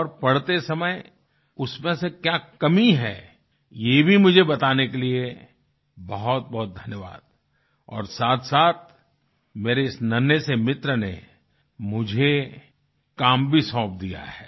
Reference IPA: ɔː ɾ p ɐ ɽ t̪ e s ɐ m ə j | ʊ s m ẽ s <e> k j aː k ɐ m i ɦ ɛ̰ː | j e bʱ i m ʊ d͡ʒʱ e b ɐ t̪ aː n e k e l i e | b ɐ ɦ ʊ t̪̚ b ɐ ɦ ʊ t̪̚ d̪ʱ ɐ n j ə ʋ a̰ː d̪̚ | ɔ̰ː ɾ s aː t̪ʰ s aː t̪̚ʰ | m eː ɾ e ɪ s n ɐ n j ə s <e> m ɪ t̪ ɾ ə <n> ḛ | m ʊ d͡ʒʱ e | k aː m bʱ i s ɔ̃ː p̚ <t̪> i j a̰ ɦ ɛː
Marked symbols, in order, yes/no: yes, yes, yes, no

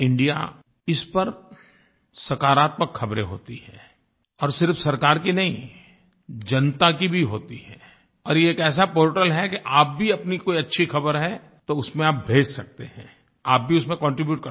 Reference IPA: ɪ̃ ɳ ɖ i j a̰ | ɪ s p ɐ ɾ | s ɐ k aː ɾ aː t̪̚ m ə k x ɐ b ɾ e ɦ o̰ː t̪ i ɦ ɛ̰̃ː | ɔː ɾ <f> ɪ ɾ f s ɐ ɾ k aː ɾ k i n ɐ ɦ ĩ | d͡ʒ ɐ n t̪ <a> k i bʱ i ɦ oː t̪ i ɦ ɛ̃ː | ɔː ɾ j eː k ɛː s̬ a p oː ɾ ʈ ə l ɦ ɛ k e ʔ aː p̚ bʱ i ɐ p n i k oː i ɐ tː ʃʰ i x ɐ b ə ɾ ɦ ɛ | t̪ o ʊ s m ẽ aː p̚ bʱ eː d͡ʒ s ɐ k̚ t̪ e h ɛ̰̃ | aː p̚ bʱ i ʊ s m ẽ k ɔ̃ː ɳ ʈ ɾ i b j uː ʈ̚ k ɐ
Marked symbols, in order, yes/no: no, yes

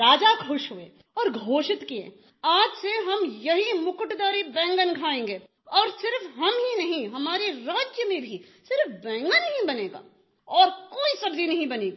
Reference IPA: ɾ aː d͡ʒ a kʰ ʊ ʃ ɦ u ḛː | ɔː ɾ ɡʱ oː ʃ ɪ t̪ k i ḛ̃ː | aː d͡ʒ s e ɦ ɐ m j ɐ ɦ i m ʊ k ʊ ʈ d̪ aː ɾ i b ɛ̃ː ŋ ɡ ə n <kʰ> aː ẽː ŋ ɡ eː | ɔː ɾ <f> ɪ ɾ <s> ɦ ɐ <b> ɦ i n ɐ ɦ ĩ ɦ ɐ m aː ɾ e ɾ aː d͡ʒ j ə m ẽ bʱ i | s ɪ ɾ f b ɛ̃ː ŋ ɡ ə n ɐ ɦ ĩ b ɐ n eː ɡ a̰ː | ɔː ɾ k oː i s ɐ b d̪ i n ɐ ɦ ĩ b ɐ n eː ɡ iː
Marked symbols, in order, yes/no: yes, no, no, no

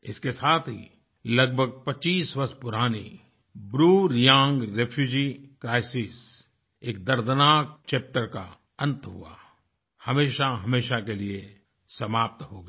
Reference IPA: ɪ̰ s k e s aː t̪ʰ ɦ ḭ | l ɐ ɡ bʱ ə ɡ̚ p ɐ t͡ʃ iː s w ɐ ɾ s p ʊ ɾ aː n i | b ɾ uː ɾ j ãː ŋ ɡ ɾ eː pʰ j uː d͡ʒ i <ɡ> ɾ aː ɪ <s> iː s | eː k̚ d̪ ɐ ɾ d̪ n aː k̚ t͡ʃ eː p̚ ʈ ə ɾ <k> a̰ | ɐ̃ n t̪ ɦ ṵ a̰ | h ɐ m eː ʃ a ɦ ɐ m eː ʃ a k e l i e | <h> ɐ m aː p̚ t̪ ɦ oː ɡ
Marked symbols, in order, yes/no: no, yes, yes, no

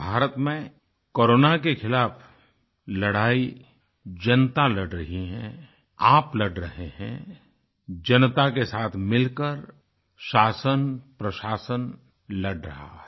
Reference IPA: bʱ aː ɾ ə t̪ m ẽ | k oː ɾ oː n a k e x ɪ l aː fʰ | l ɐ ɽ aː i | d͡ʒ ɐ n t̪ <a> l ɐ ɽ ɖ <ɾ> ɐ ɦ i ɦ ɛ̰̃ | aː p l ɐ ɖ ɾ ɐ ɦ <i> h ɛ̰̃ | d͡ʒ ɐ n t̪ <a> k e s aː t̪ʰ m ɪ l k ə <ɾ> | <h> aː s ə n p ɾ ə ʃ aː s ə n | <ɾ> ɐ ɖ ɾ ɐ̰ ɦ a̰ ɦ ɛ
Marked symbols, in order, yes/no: yes, yes, no, yes, yes, no, no

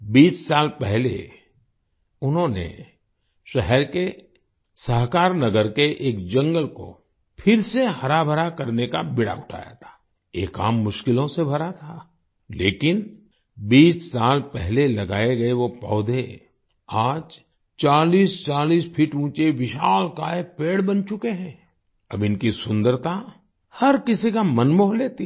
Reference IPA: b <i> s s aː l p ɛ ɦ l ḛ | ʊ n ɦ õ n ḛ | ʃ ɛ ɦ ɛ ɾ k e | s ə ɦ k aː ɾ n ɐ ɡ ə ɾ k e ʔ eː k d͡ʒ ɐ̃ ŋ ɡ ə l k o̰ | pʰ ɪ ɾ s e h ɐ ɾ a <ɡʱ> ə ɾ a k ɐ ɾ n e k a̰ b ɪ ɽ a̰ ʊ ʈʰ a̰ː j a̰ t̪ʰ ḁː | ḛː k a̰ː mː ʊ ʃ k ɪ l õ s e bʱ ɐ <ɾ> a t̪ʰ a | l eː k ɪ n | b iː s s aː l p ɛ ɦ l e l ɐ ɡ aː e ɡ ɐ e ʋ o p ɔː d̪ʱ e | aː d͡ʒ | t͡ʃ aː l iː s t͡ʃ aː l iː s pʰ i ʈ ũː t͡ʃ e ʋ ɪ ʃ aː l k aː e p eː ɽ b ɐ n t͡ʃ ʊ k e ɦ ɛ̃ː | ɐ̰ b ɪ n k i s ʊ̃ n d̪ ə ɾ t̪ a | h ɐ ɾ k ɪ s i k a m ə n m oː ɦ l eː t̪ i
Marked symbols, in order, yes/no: no, no, yes

